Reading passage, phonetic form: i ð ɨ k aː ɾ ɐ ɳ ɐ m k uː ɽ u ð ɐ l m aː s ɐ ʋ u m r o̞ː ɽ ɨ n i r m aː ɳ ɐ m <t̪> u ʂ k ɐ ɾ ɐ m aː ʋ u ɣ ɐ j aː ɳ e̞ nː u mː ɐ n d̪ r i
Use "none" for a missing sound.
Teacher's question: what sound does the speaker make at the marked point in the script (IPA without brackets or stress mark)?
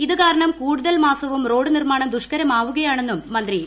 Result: d̪